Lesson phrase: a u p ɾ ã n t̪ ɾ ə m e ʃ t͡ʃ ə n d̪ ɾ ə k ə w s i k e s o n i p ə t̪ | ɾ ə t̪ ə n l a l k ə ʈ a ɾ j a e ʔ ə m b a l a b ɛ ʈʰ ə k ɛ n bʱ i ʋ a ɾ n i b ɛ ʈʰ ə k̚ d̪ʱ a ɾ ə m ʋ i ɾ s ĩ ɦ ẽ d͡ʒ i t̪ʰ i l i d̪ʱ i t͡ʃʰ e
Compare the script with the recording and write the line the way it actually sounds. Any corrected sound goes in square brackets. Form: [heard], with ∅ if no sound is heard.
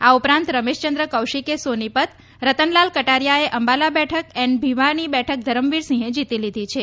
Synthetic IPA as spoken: a u p ɾ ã n t̪ ɾ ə m e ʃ t͡ʃ ə n d̪ ɾ ə k ə w [ʃ] i k e s o n i p ə t̪ | ɾ ə t̪ ə n l a l k ə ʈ a ɾ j a e ʔ ə m b a l a b ɛ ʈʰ ə k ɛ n bʱ i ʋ a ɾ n i b ɛ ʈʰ ə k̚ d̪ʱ [ə] ɾ ə m ʋ i ɾ s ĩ ɦ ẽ d͡ʒ i [t̪] i l i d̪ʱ i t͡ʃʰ e